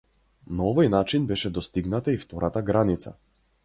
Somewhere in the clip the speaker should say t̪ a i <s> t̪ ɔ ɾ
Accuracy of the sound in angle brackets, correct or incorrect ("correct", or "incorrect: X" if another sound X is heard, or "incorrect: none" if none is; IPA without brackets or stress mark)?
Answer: incorrect: f